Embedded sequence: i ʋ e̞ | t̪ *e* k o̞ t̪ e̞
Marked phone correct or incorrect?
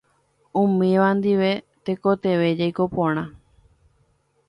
correct